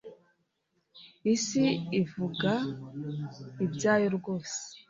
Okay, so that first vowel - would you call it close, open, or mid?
close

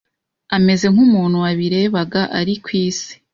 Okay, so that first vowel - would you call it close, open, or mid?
open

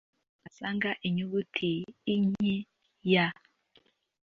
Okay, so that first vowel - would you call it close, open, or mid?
open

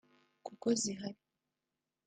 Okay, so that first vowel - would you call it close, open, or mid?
close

